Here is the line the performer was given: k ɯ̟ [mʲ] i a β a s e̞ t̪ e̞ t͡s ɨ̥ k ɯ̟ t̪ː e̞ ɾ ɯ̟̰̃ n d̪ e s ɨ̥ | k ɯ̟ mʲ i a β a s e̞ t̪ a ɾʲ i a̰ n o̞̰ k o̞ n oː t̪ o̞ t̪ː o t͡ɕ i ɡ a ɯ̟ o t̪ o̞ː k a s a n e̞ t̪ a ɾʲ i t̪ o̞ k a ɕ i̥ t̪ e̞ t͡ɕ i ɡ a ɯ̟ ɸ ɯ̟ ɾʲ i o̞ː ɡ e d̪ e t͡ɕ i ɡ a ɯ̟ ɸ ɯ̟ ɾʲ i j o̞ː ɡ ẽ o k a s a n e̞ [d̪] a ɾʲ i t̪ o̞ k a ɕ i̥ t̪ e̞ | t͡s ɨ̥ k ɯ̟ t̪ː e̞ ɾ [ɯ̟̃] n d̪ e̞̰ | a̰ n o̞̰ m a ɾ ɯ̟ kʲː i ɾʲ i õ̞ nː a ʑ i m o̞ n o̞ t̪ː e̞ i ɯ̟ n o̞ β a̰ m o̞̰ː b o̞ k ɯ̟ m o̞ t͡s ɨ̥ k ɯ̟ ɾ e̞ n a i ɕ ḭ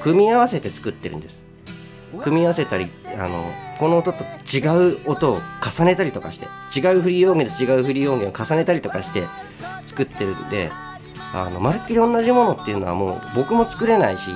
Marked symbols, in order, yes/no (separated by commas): yes, no, no